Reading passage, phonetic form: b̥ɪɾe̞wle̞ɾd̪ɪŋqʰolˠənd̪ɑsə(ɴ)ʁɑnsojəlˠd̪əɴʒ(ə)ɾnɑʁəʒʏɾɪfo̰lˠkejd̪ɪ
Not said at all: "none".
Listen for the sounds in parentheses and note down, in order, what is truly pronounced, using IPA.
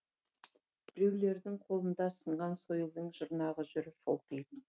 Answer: ɴ, ə

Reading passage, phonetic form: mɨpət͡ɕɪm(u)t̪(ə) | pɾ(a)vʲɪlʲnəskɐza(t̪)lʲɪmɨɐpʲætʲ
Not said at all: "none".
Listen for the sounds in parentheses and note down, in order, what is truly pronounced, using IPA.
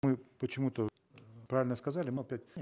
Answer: u, ə, a, none

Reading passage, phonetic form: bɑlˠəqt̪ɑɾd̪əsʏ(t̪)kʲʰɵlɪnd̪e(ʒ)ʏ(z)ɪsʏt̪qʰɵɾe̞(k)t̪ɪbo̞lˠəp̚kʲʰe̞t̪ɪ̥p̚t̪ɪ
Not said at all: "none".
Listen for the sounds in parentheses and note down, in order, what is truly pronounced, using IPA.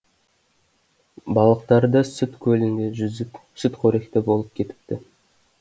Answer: t̪, ʒ, z, k

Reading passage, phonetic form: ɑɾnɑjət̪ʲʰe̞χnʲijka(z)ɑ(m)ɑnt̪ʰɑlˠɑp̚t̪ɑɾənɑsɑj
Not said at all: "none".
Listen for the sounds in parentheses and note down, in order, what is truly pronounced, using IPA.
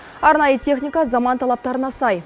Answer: z, m

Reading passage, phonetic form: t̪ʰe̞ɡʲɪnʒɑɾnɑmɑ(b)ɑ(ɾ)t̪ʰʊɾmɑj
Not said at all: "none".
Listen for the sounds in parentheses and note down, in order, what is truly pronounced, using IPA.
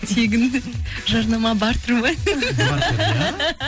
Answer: b, ɾ

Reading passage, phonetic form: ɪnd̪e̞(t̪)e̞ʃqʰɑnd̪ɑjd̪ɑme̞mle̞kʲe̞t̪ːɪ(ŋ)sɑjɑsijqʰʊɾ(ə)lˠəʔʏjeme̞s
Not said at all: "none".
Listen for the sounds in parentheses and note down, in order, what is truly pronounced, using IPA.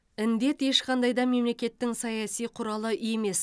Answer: t̪, ŋ, ɑ

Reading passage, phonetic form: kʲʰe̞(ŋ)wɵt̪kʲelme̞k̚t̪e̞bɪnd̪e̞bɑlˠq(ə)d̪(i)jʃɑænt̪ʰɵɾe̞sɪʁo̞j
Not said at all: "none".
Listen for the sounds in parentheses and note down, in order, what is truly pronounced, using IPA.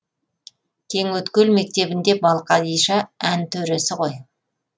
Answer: ŋ, ɑ, i

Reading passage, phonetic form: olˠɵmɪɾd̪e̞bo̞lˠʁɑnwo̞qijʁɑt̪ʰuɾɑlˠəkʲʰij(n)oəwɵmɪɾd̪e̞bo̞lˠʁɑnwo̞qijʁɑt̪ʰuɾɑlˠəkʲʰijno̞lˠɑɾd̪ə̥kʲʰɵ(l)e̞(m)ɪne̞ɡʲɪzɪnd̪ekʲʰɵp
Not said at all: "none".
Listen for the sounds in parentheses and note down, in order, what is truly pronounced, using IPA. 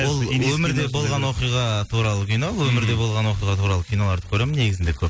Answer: n, ɾ, m

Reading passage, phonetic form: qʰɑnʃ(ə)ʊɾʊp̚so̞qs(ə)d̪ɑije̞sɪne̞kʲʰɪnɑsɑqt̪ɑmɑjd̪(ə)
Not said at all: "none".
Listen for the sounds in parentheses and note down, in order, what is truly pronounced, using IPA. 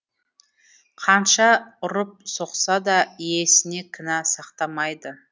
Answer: ɑ, ɑ, ə

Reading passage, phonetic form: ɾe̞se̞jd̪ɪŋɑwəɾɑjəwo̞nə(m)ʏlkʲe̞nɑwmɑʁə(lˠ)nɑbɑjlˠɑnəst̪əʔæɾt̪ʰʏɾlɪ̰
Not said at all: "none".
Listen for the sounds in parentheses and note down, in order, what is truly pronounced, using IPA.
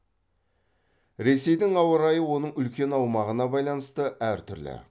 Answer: ɴ, none

